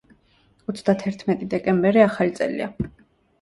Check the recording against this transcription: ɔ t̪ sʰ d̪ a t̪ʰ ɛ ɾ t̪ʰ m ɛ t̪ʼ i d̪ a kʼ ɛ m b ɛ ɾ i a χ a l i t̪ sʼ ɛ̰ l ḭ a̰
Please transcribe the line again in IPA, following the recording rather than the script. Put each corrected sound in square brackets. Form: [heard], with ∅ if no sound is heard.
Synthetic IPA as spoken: ɔ t̪ sʰ d̪ a t̪ʰ ɛ ɾ t̪ʰ m ɛ t̪ʼ i d̪ [ɛ] kʼ ɛ m b ɛ ɾ i a χ a l i t̪ sʼ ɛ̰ l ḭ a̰